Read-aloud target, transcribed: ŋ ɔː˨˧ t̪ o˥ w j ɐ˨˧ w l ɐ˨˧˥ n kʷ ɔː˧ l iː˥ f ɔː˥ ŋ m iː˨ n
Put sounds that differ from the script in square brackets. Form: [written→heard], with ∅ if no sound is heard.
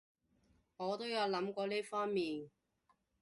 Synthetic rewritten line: ŋ ɔː˨˧ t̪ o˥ w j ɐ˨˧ w l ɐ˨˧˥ [n→m] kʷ ɔː˧ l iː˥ f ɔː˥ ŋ m iː˨ n